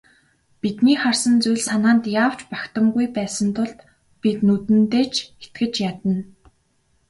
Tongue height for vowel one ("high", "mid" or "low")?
high